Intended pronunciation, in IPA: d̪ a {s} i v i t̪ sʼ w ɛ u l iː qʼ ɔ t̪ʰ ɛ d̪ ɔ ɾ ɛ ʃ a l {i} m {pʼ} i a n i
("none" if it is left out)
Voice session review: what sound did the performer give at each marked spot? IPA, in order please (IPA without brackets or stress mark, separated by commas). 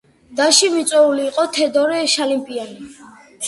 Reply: ʃ, i, pʼ